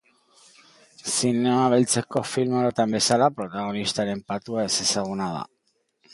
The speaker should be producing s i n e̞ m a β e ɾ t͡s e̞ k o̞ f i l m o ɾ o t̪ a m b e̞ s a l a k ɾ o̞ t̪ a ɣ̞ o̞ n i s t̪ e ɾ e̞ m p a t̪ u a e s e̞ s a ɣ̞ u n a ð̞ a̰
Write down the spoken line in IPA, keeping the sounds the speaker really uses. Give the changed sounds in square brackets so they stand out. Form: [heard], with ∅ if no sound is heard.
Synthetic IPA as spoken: s i n e̞ m a β e [l] t͡s e̞ k o̞ f i l m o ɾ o t̪ a m b e̞ s a l a [p] ɾ o̞ t̪ a ɣ̞ o̞ n i s t̪ [a] ɾ e̞ m p a t̪ u a e s e̞ s a ɣ̞ u n a ð̞ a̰